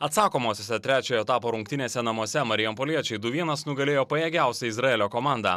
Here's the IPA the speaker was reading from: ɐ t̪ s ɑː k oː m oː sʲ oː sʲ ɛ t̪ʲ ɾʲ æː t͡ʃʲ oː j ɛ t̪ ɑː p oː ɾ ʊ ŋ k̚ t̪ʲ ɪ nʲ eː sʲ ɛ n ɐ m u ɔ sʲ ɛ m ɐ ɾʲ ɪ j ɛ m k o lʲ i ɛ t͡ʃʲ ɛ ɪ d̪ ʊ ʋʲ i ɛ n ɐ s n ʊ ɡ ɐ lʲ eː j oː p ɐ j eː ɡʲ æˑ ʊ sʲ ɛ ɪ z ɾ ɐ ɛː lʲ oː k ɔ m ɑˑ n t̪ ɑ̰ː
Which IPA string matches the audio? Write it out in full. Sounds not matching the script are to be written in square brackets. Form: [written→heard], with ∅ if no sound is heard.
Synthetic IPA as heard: ɐ t̪ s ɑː k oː m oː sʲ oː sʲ ɛ t̪ʲ ɾʲ æː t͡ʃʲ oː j ɛ t̪ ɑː p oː ɾ ʊ ŋ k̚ t̪ʲ ɪ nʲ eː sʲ ɛ n ɐ m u ɔ sʲ ɛ m ɐ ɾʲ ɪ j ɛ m [k→p] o lʲ i ɛ t͡ʃʲ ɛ ɪ d̪ ʊ ʋʲ i ɛ n ɐ s n ʊ ɡ ɐ lʲ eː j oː p ɐ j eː ɡʲ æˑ ʊ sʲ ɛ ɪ z ɾ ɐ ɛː lʲ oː k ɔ m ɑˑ n [t̪→d̪] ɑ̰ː